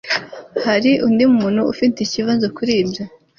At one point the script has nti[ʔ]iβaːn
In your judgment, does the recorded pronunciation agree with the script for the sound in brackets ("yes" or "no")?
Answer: no